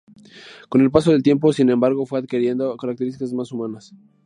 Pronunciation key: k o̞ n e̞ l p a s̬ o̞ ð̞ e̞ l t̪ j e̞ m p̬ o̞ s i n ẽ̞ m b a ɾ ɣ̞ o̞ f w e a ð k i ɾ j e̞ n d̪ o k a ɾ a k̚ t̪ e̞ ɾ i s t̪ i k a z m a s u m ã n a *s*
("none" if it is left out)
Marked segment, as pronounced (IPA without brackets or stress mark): s